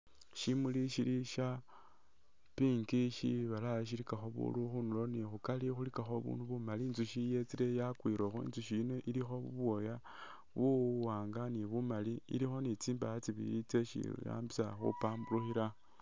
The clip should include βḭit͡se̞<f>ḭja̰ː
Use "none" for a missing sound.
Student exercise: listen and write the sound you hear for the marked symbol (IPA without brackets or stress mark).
ʃ